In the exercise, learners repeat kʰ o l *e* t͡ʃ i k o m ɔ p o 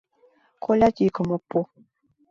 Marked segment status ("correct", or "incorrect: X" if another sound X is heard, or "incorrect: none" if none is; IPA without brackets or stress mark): incorrect: a